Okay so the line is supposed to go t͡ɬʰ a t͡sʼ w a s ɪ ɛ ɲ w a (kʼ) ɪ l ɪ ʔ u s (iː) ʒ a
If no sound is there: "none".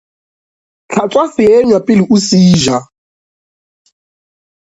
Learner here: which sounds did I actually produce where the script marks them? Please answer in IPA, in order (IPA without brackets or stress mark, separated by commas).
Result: pʼ, iː